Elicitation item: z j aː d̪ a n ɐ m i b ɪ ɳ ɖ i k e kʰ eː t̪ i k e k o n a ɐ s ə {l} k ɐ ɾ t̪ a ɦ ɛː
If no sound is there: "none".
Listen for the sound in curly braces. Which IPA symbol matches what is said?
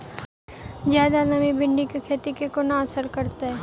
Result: ɾ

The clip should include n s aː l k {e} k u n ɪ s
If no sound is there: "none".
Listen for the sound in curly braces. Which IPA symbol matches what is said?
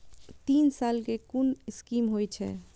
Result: e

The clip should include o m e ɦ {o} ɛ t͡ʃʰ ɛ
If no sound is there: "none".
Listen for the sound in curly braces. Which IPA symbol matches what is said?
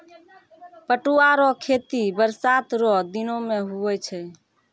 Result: u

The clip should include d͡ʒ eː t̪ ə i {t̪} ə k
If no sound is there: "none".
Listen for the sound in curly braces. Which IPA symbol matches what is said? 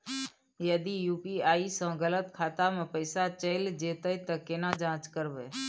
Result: t̪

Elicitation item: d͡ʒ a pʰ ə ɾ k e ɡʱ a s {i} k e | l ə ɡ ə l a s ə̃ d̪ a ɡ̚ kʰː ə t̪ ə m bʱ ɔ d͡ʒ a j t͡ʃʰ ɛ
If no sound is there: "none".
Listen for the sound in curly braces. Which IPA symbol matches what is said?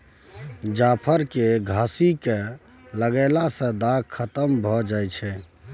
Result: i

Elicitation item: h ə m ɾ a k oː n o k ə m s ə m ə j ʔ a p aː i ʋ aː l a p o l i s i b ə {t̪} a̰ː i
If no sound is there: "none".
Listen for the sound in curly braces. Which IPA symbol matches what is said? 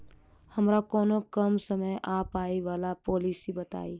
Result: t̪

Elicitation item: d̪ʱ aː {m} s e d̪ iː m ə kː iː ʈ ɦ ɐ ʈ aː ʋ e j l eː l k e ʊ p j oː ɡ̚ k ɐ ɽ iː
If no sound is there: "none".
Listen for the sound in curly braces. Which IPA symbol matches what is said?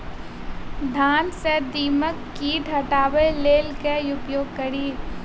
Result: n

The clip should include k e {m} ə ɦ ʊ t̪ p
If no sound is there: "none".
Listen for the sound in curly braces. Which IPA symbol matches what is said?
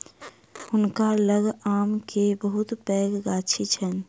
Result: b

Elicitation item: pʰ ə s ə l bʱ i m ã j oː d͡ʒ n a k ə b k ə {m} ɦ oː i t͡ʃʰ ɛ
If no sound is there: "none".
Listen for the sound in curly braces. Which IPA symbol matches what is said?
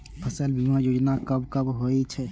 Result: b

